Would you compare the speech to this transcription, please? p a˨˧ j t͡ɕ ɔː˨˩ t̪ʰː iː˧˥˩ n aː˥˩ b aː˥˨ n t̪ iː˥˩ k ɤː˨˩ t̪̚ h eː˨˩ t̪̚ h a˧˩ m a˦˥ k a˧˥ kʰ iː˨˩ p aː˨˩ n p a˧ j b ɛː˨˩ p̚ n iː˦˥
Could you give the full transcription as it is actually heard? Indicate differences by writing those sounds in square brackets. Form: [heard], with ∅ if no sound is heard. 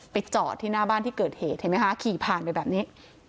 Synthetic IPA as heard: p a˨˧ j t͡ɕ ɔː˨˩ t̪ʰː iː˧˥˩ n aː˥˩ b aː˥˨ n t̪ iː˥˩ k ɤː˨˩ t̪̚ h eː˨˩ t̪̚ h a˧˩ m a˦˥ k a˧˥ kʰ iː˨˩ [pʰ] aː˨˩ n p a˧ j b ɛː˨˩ p̚ n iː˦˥